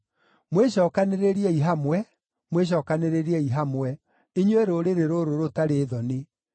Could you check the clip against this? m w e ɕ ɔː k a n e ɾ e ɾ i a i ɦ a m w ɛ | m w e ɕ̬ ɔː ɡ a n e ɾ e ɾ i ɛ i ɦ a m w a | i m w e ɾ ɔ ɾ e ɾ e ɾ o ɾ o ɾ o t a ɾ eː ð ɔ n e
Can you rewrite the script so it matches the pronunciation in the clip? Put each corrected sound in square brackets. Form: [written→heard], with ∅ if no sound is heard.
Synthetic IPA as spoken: m w e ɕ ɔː k a n e ɾ e ɾ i [a→ɛ] i ɦ a m w ɛ | m w e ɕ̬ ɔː [ɡ→k] a n e ɾ e ɾ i ɛ i ɦ a m w [a→ɛ] | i [m→ɲ] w e ɾ [ɔ→o] ɾ e ɾ e ɾ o ɾ o ɾ o t a ɾ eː ð ɔ n e